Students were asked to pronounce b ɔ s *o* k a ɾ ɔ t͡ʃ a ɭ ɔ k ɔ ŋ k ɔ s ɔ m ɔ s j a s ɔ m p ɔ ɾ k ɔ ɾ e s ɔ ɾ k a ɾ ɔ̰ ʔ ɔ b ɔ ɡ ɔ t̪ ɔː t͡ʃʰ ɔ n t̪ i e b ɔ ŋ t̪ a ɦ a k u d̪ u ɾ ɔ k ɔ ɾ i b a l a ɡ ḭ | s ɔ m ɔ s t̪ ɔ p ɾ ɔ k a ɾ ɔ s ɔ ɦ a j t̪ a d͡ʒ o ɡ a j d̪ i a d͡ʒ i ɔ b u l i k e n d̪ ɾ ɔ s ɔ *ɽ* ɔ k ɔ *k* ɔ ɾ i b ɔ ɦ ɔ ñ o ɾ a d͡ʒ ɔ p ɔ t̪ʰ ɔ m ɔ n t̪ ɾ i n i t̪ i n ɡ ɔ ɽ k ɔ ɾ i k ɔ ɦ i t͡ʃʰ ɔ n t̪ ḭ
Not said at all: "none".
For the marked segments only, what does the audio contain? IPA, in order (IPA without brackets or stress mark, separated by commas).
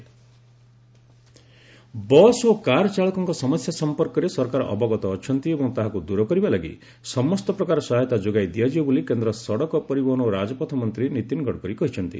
o, ɽ, p